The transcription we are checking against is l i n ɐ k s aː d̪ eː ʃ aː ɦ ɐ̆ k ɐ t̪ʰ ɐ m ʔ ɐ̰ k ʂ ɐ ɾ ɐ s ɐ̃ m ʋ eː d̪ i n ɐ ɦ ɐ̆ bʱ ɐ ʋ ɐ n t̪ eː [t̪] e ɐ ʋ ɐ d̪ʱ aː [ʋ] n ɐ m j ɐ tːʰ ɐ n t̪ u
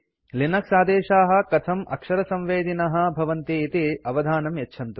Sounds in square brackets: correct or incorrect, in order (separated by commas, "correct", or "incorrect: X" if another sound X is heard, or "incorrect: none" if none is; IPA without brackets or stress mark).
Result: correct, incorrect: none